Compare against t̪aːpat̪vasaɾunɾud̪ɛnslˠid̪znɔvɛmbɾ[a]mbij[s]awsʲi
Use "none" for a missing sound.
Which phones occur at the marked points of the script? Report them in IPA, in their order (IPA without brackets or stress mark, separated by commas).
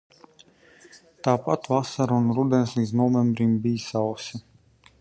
i, s